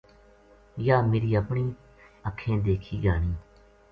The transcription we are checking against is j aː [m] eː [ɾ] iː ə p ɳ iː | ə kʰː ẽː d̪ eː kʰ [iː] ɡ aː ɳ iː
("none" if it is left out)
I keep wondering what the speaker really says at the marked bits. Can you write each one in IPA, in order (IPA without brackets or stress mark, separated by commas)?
m, ɾ, iː